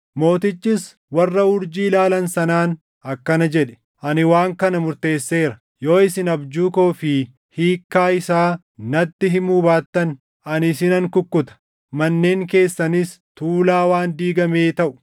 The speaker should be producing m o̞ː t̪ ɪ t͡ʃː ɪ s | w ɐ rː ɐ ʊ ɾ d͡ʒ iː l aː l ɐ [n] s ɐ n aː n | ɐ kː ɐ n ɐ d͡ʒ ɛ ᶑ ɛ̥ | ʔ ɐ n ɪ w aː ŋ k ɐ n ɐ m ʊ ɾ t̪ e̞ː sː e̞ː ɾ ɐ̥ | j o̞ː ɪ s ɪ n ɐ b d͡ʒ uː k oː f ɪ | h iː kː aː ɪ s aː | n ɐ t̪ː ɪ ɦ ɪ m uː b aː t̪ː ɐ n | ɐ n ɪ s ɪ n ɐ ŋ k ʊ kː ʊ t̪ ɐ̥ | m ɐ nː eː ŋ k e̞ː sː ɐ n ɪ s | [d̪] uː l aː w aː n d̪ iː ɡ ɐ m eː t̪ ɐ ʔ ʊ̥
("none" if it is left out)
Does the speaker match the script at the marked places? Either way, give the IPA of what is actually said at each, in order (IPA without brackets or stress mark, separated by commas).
n, t̪